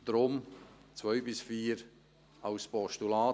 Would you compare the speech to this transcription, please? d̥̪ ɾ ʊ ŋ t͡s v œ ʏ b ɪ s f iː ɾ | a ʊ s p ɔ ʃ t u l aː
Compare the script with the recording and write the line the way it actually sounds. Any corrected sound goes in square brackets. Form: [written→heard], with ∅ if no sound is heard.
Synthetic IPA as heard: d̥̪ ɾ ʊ [ŋ→m] t͡s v œ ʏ b ɪ s f iː ɾ | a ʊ s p ɔ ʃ t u l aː